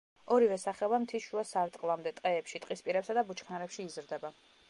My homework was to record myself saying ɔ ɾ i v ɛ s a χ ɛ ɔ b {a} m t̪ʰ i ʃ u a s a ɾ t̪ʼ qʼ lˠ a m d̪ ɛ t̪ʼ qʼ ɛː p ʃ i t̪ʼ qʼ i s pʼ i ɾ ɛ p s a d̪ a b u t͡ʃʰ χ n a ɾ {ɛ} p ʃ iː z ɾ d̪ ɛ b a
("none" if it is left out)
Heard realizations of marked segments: a, ɛ

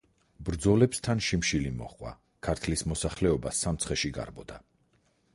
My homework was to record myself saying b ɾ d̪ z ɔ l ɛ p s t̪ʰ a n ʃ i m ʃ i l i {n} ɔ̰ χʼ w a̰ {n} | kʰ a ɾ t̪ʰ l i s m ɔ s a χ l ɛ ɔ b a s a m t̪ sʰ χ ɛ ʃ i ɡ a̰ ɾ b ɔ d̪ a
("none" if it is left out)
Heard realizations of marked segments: m, none

